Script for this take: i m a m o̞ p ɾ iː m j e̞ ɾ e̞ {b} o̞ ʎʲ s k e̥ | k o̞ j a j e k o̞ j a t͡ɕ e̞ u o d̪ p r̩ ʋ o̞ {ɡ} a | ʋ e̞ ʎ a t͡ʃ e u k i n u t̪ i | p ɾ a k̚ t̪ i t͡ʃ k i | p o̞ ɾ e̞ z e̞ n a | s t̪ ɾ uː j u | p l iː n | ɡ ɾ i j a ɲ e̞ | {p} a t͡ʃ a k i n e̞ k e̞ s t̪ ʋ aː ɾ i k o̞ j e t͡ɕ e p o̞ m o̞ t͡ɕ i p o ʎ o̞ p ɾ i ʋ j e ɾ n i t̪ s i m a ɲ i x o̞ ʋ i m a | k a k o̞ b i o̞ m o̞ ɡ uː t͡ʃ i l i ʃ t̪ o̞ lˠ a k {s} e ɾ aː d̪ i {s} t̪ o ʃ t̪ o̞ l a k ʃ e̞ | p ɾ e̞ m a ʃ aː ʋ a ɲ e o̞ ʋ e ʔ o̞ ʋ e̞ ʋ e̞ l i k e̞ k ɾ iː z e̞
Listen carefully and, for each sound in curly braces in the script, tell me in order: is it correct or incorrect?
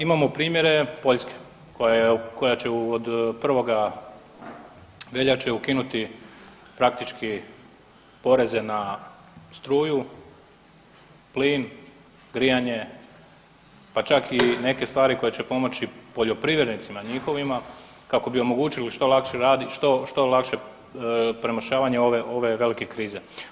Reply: incorrect: p, correct, correct, incorrect: ʃ, incorrect: ʃ

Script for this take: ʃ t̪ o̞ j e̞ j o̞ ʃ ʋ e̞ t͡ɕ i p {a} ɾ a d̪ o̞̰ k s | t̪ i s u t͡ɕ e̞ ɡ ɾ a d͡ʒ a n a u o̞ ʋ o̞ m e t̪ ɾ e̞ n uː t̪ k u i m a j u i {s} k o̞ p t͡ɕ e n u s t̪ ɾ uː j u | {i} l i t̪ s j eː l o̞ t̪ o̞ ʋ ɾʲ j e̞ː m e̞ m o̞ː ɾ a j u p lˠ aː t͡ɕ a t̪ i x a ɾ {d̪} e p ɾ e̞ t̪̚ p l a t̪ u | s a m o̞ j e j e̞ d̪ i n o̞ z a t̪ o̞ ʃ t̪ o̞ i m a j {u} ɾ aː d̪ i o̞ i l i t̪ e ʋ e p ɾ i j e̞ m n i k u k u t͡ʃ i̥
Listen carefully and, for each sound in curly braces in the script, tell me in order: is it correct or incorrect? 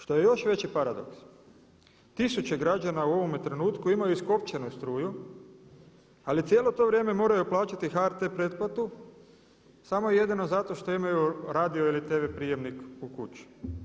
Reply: correct, correct, incorrect: a, incorrect: t̪, correct

